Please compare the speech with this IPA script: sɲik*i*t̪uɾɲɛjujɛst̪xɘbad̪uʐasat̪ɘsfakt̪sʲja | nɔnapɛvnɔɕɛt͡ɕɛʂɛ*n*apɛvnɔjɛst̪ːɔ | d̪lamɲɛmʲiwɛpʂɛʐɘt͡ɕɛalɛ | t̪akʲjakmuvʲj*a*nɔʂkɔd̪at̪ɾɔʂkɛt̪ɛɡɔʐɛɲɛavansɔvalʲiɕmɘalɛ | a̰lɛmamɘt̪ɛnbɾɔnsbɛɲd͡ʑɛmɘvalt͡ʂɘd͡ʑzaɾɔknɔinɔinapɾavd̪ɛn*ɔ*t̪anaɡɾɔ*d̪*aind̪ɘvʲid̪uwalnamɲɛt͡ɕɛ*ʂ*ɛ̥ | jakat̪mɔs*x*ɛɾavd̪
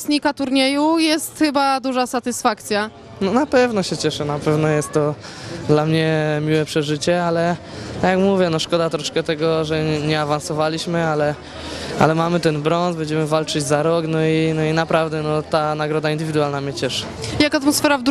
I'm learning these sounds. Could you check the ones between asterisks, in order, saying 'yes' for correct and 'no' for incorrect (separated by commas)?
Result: no, yes, no, yes, yes, yes, no